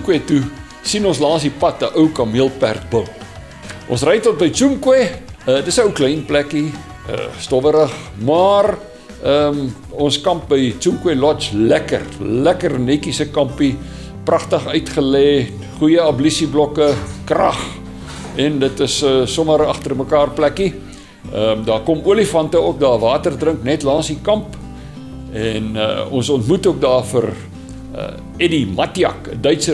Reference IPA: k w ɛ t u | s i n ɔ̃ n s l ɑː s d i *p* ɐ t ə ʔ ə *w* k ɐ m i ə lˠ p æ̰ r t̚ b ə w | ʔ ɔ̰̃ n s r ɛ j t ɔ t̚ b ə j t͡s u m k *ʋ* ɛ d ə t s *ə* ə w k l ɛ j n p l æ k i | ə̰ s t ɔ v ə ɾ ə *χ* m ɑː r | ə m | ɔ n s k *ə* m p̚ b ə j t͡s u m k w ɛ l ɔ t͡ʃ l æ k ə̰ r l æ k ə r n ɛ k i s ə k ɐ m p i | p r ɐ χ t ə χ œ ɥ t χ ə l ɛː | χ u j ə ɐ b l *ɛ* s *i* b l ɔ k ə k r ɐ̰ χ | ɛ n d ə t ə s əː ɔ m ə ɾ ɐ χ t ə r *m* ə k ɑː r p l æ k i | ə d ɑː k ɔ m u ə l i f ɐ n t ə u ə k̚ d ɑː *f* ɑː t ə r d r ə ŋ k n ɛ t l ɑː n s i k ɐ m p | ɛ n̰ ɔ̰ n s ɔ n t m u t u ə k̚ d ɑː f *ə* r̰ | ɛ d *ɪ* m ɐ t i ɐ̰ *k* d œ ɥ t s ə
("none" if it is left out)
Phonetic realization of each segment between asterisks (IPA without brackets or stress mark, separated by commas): p, w, w, ə, χ, ɐ, i, i, m, v, ə, i, k